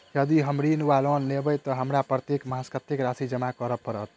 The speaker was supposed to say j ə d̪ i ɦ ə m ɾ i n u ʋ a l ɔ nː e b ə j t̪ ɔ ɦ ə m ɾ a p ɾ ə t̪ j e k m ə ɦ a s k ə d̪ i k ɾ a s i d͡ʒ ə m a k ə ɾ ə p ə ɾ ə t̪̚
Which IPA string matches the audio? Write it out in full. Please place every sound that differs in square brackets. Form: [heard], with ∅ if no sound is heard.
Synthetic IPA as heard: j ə d̪ i ɦ ə m ɾ i n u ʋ a l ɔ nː e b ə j t̪ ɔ ɦ ə m ɾ a p ɾ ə t̪ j e k m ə ɦ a s k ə [t̪] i k ɾ a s i d͡ʒ ə m a k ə ɾ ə p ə ɾ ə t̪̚